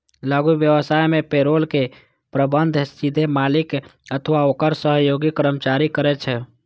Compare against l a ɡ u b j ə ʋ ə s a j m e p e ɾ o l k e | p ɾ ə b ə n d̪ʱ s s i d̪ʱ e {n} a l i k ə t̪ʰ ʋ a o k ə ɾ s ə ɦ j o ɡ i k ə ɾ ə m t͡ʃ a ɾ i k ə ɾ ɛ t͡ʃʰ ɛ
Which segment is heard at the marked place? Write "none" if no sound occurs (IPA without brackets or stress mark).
m